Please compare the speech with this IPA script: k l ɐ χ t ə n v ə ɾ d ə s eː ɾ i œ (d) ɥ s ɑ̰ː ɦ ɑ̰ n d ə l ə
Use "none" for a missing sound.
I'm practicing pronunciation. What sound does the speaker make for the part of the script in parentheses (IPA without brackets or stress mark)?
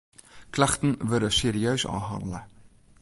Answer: none